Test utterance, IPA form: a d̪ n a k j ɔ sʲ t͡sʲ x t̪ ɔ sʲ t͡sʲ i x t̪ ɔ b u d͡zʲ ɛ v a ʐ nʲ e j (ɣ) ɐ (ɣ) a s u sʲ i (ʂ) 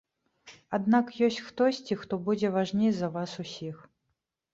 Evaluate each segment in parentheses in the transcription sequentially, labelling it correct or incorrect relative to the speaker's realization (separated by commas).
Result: incorrect, incorrect, incorrect